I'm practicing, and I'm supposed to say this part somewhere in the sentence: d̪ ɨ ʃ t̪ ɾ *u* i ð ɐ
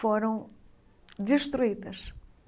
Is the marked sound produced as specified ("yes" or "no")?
yes